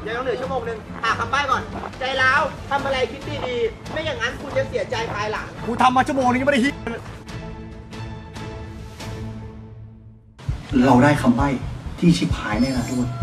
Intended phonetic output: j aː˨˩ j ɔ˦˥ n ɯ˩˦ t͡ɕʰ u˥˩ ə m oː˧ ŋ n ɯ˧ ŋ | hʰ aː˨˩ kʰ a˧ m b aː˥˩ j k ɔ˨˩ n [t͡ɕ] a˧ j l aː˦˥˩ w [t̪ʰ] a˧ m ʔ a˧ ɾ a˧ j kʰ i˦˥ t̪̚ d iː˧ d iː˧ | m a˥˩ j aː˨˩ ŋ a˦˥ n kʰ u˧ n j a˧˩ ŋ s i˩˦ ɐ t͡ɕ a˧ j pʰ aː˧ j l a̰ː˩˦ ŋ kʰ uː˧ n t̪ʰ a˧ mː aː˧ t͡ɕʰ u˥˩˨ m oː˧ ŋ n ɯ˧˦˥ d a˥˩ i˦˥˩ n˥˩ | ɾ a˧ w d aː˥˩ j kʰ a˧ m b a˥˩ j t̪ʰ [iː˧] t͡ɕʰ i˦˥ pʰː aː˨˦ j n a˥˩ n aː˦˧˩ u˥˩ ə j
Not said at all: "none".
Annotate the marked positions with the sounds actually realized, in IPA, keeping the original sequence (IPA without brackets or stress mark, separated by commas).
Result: t͡ɕ, t̪ʰ, iː˥˩